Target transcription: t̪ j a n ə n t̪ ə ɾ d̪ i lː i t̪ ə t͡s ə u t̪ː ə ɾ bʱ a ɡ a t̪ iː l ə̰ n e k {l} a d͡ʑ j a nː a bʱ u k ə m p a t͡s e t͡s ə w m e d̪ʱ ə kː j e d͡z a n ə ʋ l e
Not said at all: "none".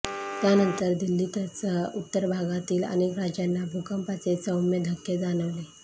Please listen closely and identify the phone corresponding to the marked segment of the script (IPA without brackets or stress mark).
ɾ